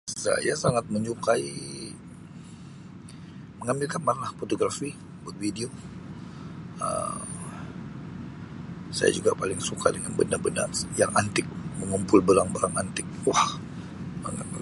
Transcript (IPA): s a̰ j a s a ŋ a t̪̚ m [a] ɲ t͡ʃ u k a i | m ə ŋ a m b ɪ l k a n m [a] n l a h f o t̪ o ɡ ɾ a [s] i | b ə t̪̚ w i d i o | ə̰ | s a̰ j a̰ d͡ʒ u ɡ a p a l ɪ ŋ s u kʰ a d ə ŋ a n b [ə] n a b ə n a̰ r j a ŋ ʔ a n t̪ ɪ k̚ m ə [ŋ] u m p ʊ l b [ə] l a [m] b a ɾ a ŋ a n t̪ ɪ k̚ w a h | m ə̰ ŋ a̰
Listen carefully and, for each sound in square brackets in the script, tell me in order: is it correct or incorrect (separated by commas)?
incorrect, correct, incorrect, correct, correct, correct, incorrect